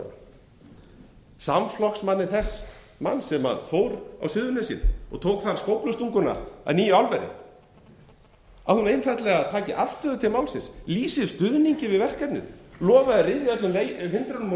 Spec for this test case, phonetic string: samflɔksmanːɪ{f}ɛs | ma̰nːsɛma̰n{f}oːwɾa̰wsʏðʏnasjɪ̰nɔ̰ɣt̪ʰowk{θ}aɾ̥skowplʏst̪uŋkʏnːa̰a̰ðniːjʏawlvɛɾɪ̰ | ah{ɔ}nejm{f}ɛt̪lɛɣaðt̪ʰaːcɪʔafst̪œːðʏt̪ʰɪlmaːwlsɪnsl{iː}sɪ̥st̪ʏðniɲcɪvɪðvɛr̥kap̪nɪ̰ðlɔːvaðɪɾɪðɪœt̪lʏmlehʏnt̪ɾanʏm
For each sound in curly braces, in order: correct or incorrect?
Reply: incorrect: θ, correct, correct, incorrect: u, correct, correct

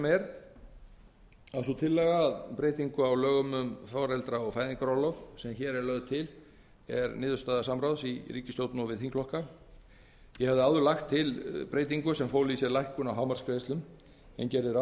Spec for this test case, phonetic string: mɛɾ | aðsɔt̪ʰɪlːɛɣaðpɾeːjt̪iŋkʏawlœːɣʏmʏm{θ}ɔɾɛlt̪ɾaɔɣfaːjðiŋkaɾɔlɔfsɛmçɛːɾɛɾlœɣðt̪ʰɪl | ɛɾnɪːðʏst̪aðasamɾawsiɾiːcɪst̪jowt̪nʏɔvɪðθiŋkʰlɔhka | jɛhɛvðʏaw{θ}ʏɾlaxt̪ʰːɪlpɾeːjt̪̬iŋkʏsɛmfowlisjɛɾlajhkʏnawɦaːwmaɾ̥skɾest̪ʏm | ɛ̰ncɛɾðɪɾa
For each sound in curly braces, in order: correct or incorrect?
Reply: incorrect: f, incorrect: ð

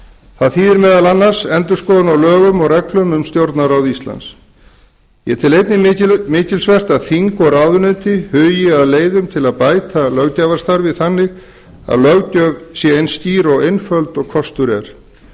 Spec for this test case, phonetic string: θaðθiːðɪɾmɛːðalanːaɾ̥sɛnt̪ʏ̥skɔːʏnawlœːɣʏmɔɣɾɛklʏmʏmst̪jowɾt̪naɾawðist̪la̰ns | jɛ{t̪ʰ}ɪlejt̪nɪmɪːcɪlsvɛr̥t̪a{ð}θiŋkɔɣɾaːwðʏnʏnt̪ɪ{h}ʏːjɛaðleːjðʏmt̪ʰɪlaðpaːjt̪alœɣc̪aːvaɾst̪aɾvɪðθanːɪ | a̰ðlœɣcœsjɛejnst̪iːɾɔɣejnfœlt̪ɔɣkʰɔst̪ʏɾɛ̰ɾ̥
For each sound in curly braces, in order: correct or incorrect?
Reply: correct, correct, correct

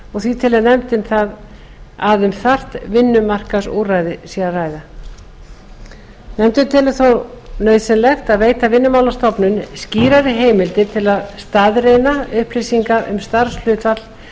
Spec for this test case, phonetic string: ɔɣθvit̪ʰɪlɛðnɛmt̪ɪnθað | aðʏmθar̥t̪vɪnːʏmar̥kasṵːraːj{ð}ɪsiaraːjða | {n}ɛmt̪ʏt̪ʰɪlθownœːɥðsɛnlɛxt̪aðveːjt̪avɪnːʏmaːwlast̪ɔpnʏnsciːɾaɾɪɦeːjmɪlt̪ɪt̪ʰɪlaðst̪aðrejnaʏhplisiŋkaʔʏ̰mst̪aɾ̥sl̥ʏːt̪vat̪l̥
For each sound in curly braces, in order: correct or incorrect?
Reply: correct, correct

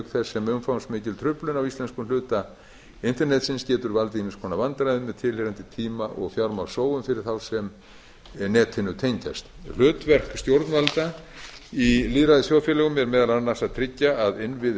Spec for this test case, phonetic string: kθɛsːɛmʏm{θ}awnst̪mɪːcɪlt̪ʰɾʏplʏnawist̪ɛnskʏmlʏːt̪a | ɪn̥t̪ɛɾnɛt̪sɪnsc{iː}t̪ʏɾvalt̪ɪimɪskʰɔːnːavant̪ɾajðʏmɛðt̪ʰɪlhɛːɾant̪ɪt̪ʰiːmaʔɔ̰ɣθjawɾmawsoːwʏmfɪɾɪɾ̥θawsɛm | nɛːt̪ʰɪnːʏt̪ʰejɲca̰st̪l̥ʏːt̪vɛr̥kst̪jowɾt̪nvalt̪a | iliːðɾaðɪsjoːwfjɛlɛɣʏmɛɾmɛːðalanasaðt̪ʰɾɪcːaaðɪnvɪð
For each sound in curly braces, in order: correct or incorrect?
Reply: incorrect: f, incorrect: ɛː

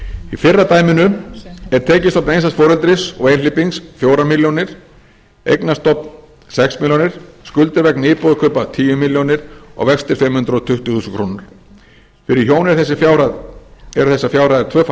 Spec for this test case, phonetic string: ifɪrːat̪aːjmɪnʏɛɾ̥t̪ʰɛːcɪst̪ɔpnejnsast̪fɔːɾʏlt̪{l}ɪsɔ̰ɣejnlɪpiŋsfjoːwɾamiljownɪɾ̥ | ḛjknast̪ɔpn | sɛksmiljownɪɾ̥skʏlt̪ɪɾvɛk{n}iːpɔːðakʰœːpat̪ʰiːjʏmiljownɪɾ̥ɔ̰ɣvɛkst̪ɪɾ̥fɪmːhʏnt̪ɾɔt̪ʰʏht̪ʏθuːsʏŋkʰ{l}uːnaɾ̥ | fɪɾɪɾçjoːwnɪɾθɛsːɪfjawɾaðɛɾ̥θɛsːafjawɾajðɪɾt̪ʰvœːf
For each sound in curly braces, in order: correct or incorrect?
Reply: incorrect: ɾ, correct, incorrect: ɾ

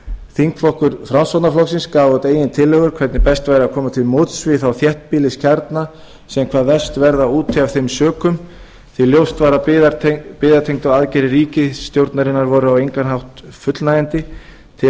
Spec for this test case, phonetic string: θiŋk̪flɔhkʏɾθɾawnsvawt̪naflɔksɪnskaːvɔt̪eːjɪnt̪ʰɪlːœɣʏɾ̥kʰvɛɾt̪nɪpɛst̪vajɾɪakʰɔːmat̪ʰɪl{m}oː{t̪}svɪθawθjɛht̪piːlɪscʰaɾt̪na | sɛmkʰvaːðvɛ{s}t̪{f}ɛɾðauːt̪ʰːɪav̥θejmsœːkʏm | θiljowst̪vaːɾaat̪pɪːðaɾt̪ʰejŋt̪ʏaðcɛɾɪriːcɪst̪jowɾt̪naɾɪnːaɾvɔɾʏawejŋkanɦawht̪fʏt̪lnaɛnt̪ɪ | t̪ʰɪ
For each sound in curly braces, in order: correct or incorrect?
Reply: correct, correct, correct, incorrect: v

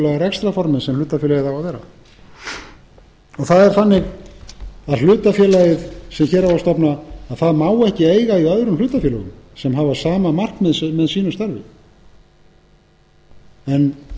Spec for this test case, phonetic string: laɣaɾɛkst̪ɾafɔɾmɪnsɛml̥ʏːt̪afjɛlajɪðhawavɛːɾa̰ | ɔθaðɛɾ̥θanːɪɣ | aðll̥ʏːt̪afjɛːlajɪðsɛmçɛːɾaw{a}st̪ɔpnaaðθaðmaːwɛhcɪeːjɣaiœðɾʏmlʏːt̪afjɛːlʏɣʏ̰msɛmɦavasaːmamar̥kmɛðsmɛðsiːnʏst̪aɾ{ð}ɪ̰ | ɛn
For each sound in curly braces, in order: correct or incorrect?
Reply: correct, incorrect: v

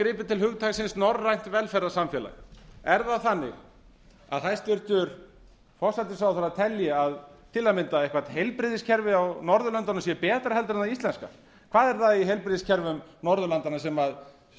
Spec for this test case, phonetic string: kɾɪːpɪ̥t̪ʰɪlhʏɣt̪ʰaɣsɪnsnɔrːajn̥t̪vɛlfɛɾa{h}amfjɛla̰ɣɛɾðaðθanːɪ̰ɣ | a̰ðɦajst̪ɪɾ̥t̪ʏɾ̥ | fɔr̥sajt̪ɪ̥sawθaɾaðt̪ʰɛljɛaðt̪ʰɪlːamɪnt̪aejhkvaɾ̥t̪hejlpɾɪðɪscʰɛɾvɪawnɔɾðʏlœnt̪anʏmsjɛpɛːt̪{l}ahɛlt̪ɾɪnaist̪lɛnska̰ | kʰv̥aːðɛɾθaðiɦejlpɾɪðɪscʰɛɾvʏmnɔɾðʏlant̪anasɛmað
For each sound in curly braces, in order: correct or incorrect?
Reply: incorrect: s, incorrect: ɾ

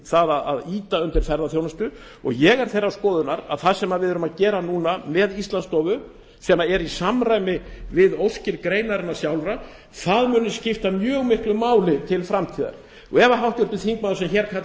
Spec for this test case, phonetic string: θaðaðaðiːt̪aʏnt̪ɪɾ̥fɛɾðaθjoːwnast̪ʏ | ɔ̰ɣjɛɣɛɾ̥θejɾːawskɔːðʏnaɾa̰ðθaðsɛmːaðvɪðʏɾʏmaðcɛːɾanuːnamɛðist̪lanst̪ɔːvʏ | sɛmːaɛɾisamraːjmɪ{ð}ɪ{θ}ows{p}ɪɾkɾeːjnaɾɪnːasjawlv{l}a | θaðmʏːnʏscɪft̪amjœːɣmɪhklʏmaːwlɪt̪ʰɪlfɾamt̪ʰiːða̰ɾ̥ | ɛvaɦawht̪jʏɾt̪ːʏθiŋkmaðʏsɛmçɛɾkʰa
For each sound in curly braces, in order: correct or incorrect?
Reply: incorrect: v, incorrect: ð, incorrect: c, incorrect: ɾ

